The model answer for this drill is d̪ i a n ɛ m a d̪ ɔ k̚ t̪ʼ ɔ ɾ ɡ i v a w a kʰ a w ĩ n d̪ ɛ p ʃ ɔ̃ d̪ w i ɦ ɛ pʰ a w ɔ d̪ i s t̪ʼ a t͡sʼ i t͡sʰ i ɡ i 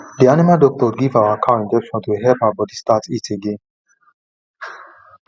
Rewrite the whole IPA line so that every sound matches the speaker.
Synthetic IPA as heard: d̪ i a n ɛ m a d̪ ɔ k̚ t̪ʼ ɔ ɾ ɡ i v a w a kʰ a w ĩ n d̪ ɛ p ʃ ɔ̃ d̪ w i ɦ ɛ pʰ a b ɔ d̪ i s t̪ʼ a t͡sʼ i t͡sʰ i ɡ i